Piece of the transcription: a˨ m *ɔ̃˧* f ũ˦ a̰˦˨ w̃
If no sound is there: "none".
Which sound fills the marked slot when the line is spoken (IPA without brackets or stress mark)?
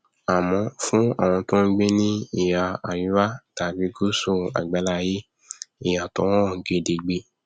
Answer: ɔ̃˧